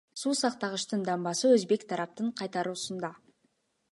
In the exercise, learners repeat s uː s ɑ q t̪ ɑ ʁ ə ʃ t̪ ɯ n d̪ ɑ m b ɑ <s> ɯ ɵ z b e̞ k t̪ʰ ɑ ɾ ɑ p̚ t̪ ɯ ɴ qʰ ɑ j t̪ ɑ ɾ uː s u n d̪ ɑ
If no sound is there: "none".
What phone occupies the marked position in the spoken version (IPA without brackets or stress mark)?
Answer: s